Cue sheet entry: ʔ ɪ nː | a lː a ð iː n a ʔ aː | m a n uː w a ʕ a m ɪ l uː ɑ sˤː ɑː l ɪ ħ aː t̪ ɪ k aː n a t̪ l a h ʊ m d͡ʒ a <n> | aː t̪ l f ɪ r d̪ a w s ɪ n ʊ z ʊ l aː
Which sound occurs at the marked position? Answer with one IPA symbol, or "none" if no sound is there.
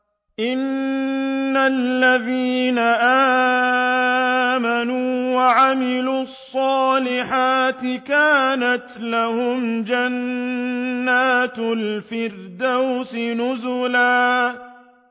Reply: nː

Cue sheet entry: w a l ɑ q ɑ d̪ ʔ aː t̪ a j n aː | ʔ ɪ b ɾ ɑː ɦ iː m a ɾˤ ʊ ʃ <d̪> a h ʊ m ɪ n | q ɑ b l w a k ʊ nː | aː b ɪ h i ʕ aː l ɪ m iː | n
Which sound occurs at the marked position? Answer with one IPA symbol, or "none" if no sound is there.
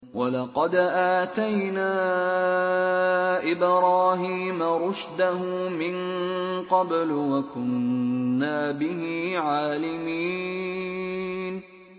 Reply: d̪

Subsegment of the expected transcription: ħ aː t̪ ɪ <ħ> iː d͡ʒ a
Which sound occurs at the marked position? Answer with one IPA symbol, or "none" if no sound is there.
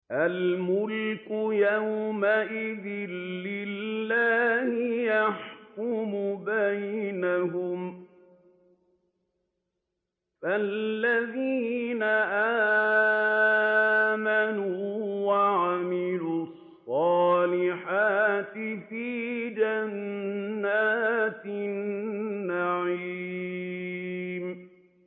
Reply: f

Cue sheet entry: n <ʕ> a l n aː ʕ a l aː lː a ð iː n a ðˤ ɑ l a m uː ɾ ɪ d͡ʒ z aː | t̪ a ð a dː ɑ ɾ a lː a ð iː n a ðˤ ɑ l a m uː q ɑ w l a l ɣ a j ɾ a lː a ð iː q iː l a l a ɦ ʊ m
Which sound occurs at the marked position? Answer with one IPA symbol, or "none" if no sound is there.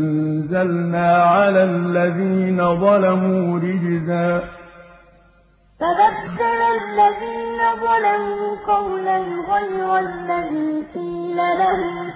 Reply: z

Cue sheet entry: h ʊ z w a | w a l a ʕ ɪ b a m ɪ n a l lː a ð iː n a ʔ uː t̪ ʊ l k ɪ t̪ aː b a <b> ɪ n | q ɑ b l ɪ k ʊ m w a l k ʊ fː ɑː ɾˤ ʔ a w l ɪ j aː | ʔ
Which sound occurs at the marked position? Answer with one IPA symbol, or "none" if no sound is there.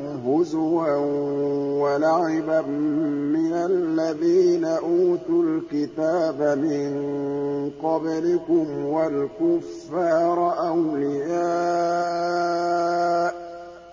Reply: m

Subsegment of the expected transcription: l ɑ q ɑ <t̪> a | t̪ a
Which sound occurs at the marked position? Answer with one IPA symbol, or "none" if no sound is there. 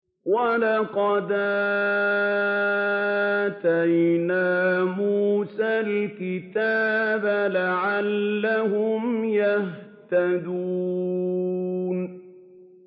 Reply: d̪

